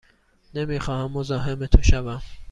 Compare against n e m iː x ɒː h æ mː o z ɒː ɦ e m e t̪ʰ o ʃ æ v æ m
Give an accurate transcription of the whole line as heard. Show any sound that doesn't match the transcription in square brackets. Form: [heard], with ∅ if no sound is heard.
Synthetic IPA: n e m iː x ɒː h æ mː o z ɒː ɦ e m e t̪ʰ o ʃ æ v æ m